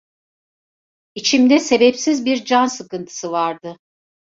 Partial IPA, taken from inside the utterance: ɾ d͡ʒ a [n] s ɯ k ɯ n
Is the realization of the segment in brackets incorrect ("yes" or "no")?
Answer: no